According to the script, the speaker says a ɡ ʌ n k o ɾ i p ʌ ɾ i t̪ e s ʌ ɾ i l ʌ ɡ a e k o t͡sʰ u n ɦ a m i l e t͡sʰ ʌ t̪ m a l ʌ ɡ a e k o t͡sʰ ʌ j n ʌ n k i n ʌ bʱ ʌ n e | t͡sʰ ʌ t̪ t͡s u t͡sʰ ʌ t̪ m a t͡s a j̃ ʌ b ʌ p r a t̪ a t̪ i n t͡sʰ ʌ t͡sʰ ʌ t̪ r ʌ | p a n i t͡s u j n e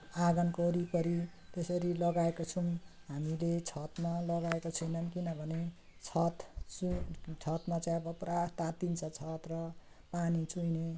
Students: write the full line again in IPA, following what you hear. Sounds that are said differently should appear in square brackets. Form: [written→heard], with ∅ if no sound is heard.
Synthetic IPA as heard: a ɡ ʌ n k o ɾ i p ʌ ɾ i t̪ e s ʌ ɾ i l ʌ ɡ a e k o t͡sʰ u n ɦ a m i l e t͡sʰ ʌ t̪ m a l ʌ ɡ a e k o t͡sʰ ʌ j n ʌ n k i n ʌ bʱ ʌ n e | t͡sʰ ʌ t̪ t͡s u t͡sʰ ʌ t̪ m a t͡s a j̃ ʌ b ʌ p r a t̪ a t̪ i n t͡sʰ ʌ t͡sʰ ʌ t̪ r ʌ | p a n i t͡s u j n e

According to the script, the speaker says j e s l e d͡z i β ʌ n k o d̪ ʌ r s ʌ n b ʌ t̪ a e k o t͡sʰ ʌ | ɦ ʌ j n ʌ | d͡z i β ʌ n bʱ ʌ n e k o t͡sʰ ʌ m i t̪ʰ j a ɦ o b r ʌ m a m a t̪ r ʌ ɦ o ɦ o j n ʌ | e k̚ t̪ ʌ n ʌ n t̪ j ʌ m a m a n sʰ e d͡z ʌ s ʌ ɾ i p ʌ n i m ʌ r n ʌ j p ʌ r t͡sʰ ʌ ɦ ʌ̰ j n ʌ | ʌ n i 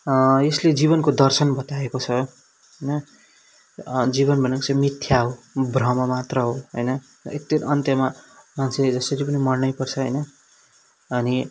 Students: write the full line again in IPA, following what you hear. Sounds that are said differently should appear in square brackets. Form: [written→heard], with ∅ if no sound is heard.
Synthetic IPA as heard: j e s l e d͡z i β ʌ n k o d̪ ʌ r s ʌ n b ʌ t̪ a e k o t͡sʰ ʌ | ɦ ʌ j n ʌ | d͡z i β ʌ n bʱ ʌ n e k o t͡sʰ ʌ m i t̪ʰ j a ɦ o b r ʌ m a m a t̪ r ʌ ɦ o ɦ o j n ʌ | e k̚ t̪ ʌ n ʌ n t̪ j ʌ m a m a n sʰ e d͡z ʌ s ʌ ɾ i p ʌ n i m ʌ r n ʌ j p ʌ r t͡sʰ ʌ ɦ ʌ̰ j n ʌ | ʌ n i

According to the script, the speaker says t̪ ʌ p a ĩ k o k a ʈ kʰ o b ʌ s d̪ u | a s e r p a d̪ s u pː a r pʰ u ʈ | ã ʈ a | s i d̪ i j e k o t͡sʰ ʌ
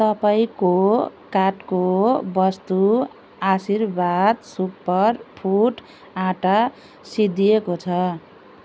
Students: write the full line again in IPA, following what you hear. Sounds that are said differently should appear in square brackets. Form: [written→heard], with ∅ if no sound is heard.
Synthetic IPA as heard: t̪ ʌ p a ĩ k o k a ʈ [kʰ→k] o b ʌ s [d̪→t̪] u | a s [e→i] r [p→b] a d̪ s u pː [a→ʌ] r pʰ u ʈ | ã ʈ a | s i d̪ i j e k o t͡sʰ ʌ

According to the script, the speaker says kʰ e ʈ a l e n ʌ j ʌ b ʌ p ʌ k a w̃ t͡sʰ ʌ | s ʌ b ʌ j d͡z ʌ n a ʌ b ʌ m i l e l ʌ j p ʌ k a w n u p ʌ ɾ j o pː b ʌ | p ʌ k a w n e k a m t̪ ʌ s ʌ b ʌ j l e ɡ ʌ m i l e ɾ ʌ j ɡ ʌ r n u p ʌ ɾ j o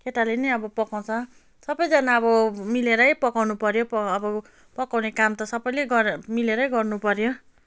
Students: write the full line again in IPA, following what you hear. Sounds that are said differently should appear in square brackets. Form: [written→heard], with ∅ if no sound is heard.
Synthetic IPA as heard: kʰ e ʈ a l e n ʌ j ʌ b ʌ p ʌ k a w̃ t͡sʰ ʌ | s ʌ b ʌ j d͡z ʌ n a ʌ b ʌ m i l e [l→ɾ] ʌ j p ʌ k a w n u p ʌ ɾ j o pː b ʌ | p ʌ k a w n e k a m t̪ ʌ s ʌ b ʌ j l e ɡ ʌ m i l e ɾ ʌ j ɡ ʌ r n u p ʌ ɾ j o

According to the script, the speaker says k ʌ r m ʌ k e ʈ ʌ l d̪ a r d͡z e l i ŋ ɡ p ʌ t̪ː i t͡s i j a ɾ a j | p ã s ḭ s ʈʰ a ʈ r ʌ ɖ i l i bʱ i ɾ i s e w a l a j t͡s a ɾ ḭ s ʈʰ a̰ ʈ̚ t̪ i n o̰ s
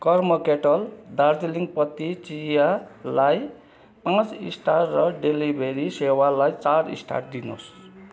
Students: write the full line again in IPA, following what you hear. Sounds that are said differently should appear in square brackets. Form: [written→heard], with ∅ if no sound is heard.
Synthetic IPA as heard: k ʌ r m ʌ k e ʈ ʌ l d̪ a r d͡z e l i ŋ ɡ p ʌ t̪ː i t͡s i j a [ɾ→l] a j | p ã [s→t͡s] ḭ s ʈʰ a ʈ r ʌ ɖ [i→e] l i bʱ [i→e] ɾ i s e w a l a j t͡s a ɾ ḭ s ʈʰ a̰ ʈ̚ [t̪→d̪] i n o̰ s

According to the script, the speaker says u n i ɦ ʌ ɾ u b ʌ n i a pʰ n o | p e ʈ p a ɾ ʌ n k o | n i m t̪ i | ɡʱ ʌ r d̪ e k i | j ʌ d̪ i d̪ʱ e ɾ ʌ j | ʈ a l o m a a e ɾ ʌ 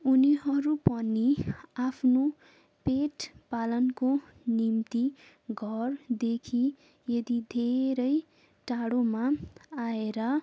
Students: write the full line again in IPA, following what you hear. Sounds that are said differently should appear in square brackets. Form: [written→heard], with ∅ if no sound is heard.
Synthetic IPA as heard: u n i ɦ ʌ ɾ u [b→p] ʌ n i a pʰ n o | p e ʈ p a [ɾ→l] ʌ n k o | n i m t̪ i | ɡʱ ʌ r d̪ e [k→kʰ] i | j ʌ d̪ i d̪ʱ e ɾ ʌ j | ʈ a [l→ɽ] o m a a e ɾ ʌ

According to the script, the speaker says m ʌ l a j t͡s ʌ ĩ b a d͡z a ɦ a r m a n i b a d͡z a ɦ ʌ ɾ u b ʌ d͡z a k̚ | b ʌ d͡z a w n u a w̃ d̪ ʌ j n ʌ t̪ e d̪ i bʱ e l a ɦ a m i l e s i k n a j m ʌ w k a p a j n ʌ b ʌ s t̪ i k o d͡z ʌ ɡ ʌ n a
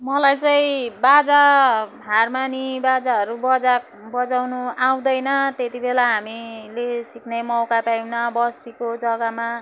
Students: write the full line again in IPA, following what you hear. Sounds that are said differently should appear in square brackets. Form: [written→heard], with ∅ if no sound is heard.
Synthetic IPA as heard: m ʌ l a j t͡s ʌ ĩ b a d͡z a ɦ a r m a n i b a d͡z a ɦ ʌ ɾ u b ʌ d͡z a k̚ | b ʌ d͡z a w n u a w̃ d̪ ʌ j n ʌ t̪ e [d̪→t̪] i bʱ e l a ɦ a m i l e s i k n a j m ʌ w k a p a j n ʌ b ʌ s t̪ i k o d͡z ʌ ɡ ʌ [n→m] a

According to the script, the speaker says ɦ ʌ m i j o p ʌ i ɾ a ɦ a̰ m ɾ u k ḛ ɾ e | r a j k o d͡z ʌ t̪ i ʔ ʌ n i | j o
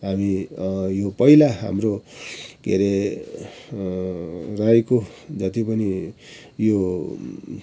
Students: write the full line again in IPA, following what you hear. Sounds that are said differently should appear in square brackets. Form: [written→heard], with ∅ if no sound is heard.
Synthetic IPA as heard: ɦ [ʌ→a] m i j o p ʌ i [ɾ→l] a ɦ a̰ m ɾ [u→o] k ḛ ɾ e | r a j k o d͡z ʌ t̪ i [ʔ→p] ʌ n i | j o

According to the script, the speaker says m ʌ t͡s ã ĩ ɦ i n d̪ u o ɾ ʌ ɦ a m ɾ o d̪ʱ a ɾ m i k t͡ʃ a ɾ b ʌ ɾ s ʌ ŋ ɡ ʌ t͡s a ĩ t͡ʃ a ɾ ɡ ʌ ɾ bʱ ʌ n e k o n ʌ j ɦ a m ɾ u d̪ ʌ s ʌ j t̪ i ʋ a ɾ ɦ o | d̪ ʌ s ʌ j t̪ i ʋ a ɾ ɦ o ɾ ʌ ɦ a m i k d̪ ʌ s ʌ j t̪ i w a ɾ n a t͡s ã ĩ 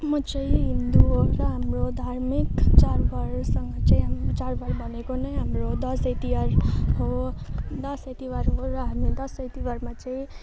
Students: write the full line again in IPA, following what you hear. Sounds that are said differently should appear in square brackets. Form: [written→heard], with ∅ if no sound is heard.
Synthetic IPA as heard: m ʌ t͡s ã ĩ ɦ i n d̪ u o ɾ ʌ ɦ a m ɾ o d̪ʱ a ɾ m i k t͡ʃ a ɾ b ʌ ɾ s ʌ ŋ ɡ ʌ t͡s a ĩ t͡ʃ a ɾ [ɡ→b] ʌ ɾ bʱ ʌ n e k o n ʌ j ɦ a m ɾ [u→o] d̪ ʌ s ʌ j t̪ i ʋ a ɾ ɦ o | d̪ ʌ s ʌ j t̪ i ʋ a ɾ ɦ o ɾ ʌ ɦ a m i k d̪ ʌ s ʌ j t̪ i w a ɾ [n→m] a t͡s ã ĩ

